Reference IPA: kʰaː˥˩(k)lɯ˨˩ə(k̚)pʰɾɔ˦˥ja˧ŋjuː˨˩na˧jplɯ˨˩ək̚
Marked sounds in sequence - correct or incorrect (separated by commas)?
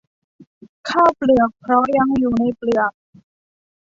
incorrect, correct